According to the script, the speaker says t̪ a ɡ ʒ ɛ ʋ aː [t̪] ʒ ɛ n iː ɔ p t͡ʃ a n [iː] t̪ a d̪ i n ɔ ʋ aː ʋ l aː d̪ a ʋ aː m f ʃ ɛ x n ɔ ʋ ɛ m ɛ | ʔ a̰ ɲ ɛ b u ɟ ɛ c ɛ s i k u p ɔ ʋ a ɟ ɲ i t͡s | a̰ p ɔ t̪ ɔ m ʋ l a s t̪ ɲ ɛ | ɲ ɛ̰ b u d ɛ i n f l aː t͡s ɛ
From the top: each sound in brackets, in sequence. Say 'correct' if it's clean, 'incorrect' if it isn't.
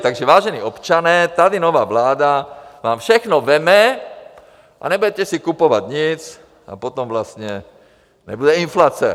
incorrect: none, incorrect: ɛː

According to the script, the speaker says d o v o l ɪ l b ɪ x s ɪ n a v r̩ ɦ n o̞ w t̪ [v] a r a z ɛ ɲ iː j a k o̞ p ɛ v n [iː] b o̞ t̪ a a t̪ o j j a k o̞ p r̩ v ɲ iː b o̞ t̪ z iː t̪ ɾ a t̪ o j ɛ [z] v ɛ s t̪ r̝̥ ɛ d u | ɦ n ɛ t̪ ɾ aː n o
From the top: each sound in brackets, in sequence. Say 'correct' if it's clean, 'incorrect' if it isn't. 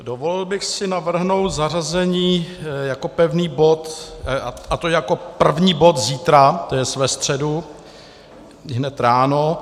incorrect: z, correct, incorrect: s

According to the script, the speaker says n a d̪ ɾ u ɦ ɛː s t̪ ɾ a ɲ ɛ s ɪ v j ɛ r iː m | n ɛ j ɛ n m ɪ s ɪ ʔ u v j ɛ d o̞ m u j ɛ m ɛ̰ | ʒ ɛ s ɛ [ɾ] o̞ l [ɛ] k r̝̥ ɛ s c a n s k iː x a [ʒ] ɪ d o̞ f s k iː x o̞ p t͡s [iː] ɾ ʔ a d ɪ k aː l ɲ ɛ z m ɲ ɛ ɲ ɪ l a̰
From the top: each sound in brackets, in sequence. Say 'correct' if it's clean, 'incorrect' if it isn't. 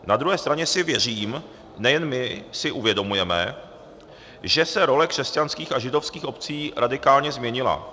correct, correct, correct, correct

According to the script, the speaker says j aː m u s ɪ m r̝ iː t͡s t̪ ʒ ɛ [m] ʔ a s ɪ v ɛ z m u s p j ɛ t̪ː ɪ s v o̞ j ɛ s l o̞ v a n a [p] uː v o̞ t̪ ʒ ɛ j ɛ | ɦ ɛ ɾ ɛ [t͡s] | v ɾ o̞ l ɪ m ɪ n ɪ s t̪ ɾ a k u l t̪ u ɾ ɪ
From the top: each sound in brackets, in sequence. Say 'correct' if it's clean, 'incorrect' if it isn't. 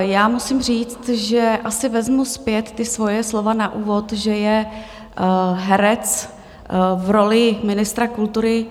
incorrect: none, incorrect: ʔ, correct

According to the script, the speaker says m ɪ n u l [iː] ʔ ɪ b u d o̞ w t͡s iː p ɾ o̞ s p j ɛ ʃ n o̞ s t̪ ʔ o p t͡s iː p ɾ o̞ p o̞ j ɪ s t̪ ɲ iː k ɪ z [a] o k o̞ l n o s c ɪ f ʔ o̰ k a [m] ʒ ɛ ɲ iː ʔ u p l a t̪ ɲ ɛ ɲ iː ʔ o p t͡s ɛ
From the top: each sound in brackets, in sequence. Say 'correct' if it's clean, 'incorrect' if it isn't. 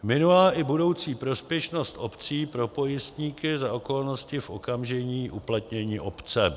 incorrect: aː, correct, correct

